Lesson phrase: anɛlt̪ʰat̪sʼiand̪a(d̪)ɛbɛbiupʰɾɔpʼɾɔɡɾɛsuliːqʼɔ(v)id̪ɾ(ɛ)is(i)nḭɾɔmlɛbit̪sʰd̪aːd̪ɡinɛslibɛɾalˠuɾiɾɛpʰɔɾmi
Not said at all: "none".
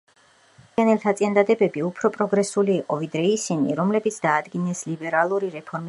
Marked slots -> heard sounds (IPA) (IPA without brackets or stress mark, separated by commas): d̪, v, ɛ, i